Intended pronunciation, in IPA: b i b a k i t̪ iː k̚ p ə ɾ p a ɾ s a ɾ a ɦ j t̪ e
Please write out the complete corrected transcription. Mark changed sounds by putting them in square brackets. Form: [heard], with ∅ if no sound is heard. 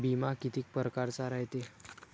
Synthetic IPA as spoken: b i [m] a k i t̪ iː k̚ p ə ɾ [k] a ɾ [t͡s] a ɾ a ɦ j t̪ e